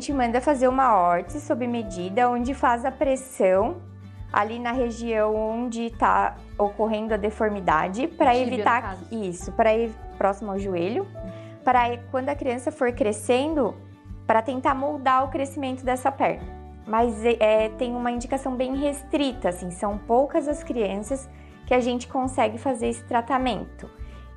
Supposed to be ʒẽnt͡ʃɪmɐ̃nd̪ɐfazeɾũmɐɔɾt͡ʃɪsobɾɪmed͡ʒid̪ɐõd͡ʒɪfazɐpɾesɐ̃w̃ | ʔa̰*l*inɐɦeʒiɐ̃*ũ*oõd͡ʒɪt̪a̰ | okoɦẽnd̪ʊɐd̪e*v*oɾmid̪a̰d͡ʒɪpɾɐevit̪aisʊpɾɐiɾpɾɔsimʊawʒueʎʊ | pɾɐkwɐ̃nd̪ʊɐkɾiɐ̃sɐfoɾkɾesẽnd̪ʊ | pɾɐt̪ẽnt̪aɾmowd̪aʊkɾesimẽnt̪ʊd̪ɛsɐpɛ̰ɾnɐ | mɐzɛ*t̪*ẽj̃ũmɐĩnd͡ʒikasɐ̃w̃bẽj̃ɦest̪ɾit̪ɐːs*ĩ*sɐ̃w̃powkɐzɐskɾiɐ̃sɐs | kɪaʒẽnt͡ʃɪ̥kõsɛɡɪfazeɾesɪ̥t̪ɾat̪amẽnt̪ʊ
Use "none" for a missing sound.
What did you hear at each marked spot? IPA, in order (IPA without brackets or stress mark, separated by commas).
l, w̃, f, t̪, ĩ